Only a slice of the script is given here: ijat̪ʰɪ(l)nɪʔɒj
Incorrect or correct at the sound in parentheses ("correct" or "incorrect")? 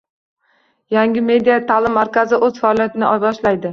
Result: incorrect